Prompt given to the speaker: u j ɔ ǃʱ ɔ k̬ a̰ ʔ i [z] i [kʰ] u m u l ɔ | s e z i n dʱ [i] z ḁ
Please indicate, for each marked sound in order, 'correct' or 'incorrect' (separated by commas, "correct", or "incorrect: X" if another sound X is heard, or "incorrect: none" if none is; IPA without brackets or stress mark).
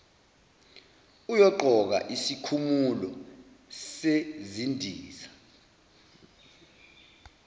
incorrect: s, correct, incorrect: iː